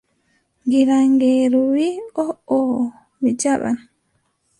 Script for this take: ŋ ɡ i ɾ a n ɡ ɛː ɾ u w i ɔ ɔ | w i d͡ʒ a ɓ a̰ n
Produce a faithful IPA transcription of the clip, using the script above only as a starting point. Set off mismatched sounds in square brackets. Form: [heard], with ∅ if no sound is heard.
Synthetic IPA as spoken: ŋ ɡ i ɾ a [ŋ] ɡ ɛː ɾ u w i ɔ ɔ | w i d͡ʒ a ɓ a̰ n